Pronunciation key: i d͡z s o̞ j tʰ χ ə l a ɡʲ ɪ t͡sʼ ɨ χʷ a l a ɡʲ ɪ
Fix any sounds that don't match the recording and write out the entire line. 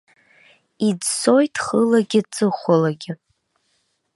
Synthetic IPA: i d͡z s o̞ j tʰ χ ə l a ɡʲ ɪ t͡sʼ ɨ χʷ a l a ɡʲ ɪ

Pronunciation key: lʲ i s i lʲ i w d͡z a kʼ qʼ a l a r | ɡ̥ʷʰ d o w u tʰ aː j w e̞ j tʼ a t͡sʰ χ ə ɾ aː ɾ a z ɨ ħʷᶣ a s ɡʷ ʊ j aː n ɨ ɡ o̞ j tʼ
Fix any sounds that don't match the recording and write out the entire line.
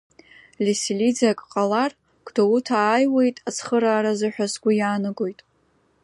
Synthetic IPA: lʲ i s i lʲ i d͡z a kʼ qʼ a l a r | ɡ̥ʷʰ d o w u tʰ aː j w e̞ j tʼ a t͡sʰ χ ə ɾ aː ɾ a z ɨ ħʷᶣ a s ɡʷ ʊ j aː n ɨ ɡ o̞ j tʼ

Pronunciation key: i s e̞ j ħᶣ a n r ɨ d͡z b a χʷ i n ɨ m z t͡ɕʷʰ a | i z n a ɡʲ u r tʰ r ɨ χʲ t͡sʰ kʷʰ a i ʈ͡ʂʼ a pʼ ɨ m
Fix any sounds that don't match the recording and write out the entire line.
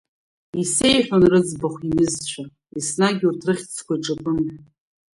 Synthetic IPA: i s e̞ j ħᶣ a n r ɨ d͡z b a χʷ i n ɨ z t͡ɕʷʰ a | i s n a ɡʲ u r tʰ r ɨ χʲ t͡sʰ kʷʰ a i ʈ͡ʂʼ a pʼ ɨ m

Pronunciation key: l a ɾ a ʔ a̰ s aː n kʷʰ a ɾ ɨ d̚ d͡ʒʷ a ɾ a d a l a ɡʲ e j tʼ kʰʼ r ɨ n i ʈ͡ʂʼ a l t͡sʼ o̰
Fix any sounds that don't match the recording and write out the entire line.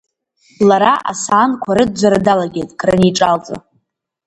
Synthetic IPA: l a ɾ a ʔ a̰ s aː n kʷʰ a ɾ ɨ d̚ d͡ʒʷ a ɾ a d a l a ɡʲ e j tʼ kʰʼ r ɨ n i ʈ͡ʂʼ a l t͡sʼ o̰

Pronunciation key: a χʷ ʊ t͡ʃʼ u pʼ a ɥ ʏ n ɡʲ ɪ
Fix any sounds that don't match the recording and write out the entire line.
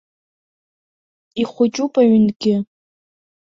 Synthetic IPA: i χʷ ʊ t͡ʃʼ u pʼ a ɥ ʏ n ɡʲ ɪ

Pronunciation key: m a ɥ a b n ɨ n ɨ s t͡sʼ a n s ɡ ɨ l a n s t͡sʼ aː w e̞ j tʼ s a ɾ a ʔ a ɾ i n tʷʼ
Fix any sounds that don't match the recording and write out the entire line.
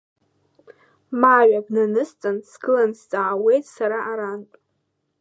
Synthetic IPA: m a ɥ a b n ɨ n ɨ s t͡sʼ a n s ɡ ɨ l a n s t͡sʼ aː w e̞ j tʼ s a ɾ a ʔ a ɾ a n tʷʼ

